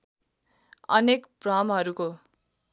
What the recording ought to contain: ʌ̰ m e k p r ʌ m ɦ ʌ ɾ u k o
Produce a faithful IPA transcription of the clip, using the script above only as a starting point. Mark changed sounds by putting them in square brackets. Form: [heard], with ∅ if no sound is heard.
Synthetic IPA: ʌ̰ [n] e k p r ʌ m ɦ ʌ ɾ u k o